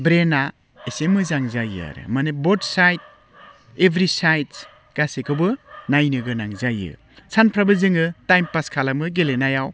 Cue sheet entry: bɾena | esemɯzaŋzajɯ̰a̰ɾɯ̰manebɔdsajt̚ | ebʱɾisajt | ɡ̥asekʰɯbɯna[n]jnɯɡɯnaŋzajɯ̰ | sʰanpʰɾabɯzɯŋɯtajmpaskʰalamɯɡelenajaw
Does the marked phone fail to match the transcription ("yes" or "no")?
yes